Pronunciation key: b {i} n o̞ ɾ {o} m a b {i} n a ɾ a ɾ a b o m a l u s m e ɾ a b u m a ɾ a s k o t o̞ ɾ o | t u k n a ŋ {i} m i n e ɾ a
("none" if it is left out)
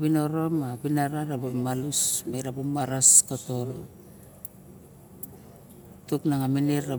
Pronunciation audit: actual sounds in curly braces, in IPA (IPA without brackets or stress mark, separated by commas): i, o, i, a